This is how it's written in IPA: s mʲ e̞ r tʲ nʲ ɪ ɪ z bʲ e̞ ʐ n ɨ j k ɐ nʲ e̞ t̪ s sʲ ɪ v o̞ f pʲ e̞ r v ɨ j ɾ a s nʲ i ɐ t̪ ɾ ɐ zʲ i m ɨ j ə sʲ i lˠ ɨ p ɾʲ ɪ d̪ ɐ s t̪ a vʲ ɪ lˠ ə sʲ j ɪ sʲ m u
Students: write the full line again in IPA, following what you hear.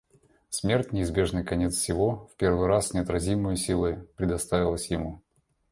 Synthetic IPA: s mʲ e̞ r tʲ nʲ ɪ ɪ z bʲ e̞ ʐ n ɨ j k ɐ nʲ e̞ t̪ s sʲ ɪ v o̞ f pʲ e̞ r v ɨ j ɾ a s nʲ ɪ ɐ t̪ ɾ ɐ zʲ i m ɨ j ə sʲ i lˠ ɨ p ɾʲ ɪ d̪ ɐ s t̪ a vʲ ɪ lˠ ə sʲ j ɪ m u

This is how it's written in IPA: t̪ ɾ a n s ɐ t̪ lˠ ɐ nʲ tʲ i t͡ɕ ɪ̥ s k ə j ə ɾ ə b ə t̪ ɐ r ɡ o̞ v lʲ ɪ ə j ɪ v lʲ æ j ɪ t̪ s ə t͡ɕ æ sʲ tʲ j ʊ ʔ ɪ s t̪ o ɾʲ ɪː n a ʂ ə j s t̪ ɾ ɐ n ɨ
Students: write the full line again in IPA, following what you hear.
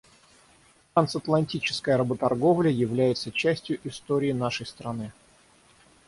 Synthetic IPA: t̪ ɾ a n s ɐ t̪ lˠ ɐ nʲ tʲ i t͡ɕ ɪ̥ s k ə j ə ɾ ə b ə t̪ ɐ r ɡ o̞ v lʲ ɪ ə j ɪ v lʲ æ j ɪ t̪ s ə t͡ɕ æ sʲ tʲ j ʊ ʔ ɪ s t̪ o ɾʲ ɪː n a ʂ ə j s t̪ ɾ ɐ n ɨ

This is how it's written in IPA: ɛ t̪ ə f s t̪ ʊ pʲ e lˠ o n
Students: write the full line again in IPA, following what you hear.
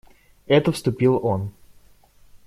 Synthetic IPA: ɛ t̪ ə f s t̪ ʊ pʲ i lˠ o n

